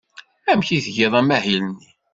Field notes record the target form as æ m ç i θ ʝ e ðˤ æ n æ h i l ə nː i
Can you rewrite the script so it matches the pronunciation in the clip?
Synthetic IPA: æ m ç i θ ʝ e ðˤ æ m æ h i l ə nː i